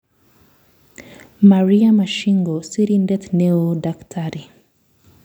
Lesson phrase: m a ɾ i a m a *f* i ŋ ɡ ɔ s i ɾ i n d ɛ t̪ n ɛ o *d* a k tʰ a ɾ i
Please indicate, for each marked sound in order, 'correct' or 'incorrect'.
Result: incorrect, correct

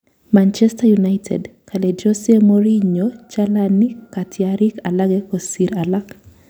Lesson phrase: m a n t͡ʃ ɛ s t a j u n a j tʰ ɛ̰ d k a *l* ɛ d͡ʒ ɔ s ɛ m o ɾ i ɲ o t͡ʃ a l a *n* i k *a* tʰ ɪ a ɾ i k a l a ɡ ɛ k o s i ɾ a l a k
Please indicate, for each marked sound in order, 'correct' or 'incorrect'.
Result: correct, correct, correct

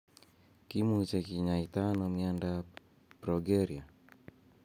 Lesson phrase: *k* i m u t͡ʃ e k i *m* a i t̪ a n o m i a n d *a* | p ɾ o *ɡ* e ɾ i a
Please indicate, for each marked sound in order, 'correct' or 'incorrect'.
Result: correct, incorrect, correct, correct

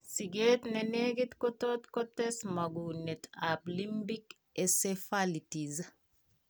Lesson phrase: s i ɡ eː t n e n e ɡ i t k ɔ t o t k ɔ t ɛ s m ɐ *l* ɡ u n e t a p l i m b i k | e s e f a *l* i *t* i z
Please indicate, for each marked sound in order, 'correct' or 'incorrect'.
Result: incorrect, correct, correct

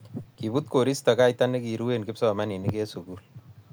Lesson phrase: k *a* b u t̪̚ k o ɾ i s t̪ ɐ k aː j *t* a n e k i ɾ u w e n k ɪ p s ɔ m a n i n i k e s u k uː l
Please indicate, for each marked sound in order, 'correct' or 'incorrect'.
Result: incorrect, correct

